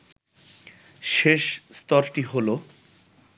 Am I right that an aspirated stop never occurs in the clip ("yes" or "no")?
yes